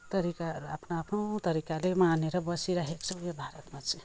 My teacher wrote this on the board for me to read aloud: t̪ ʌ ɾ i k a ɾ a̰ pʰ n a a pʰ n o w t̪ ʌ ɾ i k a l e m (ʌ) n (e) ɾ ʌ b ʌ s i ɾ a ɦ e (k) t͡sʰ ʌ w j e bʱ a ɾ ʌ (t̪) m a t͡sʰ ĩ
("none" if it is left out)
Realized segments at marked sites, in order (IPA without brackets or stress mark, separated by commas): a, e, k, t̪